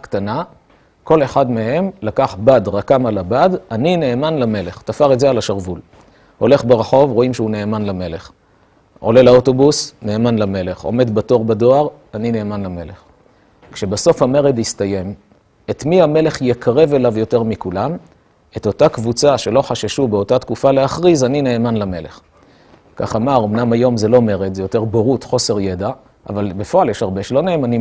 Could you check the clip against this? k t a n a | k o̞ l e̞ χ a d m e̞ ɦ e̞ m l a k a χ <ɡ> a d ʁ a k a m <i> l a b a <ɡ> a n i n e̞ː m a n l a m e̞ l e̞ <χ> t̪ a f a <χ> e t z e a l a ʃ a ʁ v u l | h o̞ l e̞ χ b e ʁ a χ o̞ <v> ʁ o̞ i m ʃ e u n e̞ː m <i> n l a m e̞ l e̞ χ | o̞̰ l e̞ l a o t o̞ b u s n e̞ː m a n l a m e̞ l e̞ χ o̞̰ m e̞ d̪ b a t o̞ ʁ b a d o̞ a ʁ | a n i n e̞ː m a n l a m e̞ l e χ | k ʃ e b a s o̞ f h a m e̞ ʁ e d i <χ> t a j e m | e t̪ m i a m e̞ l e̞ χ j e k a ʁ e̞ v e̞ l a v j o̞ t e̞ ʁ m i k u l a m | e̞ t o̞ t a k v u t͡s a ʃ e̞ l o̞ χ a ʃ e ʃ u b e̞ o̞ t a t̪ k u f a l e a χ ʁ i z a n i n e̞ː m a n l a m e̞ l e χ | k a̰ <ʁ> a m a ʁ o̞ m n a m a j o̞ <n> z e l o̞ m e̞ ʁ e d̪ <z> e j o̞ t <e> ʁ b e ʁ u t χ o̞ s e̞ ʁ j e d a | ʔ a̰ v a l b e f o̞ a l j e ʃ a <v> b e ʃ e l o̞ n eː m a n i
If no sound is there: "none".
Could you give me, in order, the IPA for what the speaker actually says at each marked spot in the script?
b, a, d, χ, ʁ, v, a, s, χ, m, z, e, ʁ

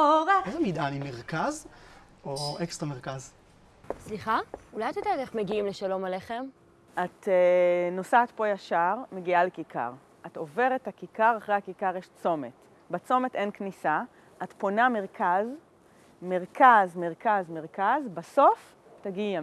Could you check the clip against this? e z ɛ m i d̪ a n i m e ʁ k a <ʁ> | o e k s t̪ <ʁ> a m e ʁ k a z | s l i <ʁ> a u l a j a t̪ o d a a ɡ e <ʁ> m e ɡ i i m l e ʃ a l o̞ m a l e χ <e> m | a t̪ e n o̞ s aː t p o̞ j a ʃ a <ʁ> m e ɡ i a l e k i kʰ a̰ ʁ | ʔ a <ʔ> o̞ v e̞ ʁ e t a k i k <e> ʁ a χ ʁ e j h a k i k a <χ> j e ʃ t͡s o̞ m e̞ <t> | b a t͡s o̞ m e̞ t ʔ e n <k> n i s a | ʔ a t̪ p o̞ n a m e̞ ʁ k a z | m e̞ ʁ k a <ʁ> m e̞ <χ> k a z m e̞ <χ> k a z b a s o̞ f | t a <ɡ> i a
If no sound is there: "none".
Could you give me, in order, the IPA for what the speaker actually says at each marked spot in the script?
z, ʁ, χ, χ, e, ʁ, t, a, ʁ, t, k, z, ʁ, ʁ, ɡ

